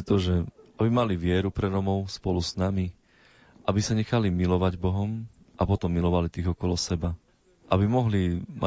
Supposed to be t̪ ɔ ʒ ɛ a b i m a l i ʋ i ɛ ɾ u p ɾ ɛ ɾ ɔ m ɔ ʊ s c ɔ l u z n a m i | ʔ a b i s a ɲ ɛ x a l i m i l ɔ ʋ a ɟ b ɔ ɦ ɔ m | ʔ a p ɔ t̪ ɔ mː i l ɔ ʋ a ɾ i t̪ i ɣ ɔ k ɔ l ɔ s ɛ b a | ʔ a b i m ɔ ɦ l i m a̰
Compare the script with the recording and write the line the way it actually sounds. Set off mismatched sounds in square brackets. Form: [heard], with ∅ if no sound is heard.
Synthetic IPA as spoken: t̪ ɔ ʒ ɛ a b i m a l i ʋ [ɪ] ɛ ɾ u p ɾ ɛ ɾ ɔ m ɔ ʊ s [p] ɔ l u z n a m i | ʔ a b i s a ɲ ɛ x a l i m i l ɔ ʋ a ɟ b ɔ ɦ ɔ m | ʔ a p ɔ t̪ ɔ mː i l ɔ ʋ a [l] i t̪ i ɣ ɔ k ɔ l ɔ s ɛ b a | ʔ a b i m ɔ ɦ l i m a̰